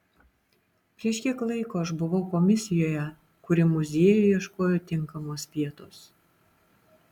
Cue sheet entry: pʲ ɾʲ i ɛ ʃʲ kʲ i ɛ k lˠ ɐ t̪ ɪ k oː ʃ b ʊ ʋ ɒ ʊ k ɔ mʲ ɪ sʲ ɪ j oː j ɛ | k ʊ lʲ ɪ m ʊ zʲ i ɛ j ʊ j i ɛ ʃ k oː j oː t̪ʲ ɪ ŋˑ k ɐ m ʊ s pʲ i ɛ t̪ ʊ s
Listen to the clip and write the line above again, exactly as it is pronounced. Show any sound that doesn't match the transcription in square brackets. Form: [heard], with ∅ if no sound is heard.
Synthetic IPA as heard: pʲ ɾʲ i ɛ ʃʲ kʲ i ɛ k lˠ ɐ [∅] ɪ k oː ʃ b ʊ ʋ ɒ ʊ k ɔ mʲ ɪ sʲ ɪ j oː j ɛ | k ʊ [ɾʲ] ɪ m ʊ zʲ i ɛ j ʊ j i ɛ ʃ k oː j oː t̪ʲ ɪ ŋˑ k ɐ m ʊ s pʲ i ɛ t̪ ʊ s